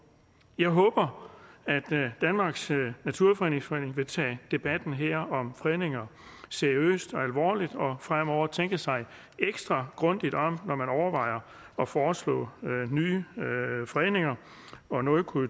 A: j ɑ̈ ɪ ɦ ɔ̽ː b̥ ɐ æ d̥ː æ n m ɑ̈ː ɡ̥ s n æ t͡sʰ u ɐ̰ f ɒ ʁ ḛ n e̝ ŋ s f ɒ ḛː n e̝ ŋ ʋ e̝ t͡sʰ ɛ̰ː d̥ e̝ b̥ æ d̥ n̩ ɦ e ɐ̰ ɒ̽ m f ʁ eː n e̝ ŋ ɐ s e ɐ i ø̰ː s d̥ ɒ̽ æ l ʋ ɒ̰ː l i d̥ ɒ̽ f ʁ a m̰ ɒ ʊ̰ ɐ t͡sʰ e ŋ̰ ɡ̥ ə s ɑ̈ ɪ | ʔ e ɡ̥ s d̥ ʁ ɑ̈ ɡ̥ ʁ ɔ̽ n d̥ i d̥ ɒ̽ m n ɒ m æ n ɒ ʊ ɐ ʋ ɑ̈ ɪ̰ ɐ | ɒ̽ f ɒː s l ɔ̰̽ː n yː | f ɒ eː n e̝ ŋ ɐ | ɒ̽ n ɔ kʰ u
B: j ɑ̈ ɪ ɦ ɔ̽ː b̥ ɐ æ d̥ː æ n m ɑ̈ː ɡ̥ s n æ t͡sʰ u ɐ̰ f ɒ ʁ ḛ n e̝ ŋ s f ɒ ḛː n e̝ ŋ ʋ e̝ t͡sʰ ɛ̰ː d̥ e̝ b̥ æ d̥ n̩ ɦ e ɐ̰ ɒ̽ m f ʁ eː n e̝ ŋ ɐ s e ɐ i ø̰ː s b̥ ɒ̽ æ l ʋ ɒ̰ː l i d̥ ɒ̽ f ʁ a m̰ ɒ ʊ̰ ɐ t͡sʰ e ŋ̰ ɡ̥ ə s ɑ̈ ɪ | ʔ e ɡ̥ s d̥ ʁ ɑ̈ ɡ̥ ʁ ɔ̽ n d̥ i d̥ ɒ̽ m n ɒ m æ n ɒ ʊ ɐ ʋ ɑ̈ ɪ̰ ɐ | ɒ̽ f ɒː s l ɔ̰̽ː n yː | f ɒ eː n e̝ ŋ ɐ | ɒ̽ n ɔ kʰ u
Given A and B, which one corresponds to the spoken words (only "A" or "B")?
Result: A